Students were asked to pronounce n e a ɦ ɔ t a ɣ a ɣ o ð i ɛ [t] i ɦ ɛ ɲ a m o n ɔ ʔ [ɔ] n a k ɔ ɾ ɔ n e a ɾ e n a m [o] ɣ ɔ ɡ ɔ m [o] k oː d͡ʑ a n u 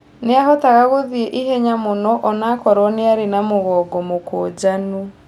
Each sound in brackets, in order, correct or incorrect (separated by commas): incorrect, correct, correct, correct